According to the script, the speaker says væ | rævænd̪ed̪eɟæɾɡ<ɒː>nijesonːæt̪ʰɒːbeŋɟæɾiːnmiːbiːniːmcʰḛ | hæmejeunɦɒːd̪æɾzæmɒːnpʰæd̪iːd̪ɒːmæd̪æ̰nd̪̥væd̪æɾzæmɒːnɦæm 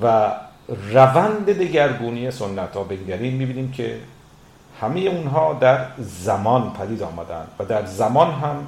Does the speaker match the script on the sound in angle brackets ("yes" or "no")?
no